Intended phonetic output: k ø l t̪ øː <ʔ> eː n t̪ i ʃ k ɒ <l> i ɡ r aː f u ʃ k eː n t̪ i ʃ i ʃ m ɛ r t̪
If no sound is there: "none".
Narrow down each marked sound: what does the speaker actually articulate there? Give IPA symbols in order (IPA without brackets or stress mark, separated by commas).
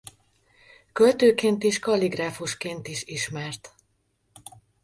k, l